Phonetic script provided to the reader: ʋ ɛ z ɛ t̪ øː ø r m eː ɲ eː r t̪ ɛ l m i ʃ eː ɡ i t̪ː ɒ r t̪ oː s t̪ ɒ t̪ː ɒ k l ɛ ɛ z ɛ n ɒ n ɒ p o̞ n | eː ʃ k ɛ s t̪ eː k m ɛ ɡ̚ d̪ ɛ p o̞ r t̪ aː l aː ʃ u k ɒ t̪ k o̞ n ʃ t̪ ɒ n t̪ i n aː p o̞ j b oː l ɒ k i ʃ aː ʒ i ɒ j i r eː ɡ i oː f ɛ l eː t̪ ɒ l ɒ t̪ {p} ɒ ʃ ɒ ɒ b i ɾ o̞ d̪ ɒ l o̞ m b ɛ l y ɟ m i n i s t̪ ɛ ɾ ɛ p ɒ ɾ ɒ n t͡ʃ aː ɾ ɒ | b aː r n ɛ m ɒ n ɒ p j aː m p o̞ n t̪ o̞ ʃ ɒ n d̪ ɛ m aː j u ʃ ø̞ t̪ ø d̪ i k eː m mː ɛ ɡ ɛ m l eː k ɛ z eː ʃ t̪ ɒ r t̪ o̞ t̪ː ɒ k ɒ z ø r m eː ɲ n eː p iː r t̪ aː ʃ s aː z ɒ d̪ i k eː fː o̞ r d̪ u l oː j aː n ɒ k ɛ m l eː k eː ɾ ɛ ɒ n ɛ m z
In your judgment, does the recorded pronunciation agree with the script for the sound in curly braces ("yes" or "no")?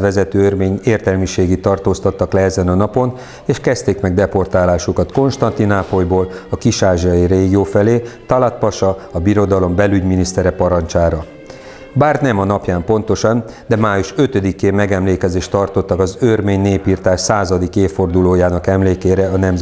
yes